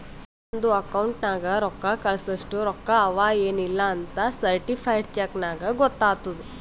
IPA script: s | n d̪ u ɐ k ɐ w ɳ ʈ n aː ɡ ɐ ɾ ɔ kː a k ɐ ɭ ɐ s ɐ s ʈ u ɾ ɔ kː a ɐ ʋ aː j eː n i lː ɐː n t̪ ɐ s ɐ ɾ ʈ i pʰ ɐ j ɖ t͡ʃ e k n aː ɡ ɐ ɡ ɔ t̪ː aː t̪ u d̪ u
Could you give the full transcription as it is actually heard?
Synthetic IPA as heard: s | n d̪ u ɐ k ɐ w ɳ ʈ n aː ɡ ɐ ɾ ɔ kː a k ɐ ɭ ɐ s ɐ ʂ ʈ u ɾ ɔ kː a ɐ ʋ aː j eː n i lː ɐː n t̪ ɐ s ɐ ɾ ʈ i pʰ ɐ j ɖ t͡ʃ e k n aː ɡ ɐ ɡ ɔ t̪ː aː t̪ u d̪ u